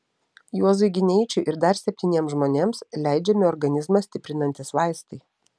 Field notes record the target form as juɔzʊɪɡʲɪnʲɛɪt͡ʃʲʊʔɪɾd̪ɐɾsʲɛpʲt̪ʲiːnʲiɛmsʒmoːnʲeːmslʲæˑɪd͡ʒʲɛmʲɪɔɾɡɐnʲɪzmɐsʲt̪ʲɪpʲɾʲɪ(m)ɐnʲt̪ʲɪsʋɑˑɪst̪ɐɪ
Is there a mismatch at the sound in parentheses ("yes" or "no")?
yes